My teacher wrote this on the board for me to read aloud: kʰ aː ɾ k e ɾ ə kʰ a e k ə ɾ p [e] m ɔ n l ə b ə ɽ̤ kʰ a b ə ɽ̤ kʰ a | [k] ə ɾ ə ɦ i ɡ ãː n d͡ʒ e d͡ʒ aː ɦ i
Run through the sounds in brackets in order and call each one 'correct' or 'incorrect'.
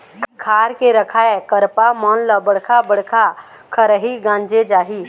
incorrect, incorrect

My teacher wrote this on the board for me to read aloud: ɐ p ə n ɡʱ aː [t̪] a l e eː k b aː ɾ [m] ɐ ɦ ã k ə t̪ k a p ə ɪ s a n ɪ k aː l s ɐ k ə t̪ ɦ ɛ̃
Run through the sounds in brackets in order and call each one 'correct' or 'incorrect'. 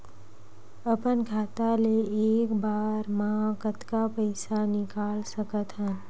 correct, correct

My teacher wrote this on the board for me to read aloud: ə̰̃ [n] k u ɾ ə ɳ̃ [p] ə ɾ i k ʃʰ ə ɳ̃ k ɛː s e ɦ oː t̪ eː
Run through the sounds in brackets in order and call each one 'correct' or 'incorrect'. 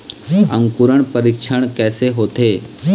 incorrect, correct

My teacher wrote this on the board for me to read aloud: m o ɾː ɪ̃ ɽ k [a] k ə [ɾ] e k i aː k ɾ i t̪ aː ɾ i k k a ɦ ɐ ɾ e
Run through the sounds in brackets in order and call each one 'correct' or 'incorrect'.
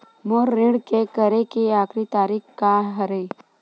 incorrect, correct

